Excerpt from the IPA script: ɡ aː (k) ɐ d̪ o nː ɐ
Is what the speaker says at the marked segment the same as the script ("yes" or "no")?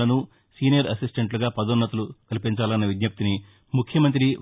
no